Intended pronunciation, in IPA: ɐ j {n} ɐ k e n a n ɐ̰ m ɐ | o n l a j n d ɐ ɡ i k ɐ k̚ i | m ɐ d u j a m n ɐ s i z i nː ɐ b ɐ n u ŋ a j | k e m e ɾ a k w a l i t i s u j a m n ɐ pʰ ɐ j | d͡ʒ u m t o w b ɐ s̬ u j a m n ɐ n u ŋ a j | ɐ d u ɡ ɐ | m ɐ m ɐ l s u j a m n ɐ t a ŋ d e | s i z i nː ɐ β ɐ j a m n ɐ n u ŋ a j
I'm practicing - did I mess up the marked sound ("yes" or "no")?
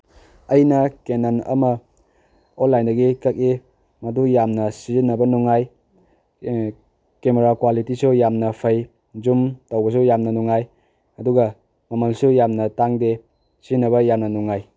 no